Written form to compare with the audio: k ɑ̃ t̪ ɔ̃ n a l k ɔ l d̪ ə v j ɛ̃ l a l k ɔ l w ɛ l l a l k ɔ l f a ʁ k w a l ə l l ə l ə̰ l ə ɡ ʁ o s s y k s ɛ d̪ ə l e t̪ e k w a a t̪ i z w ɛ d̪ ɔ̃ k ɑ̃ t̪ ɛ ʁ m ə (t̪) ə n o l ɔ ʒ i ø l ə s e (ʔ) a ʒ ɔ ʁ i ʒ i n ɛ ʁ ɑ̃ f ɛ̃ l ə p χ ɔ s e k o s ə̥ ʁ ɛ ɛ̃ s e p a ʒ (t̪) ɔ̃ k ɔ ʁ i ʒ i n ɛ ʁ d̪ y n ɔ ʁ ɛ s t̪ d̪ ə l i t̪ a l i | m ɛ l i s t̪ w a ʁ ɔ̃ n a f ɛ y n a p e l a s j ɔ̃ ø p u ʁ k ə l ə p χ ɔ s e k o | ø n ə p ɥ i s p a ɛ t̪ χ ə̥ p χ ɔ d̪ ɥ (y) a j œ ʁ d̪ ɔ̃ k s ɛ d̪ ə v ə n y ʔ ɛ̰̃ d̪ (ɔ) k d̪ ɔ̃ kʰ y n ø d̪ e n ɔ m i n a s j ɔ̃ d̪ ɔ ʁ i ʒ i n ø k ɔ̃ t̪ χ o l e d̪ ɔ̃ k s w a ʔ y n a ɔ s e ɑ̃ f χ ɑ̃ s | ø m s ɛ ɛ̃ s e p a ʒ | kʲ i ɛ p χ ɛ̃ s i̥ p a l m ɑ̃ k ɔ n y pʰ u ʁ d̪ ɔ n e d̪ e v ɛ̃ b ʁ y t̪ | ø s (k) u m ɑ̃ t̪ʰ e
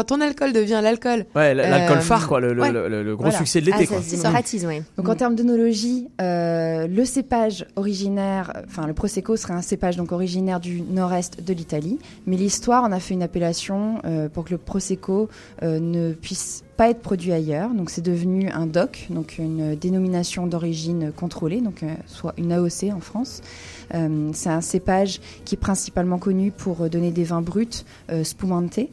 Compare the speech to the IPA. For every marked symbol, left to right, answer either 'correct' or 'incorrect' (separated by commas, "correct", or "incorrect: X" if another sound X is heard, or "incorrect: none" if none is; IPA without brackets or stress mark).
incorrect: d̪, incorrect: p, incorrect: d̪, incorrect: i, correct, incorrect: p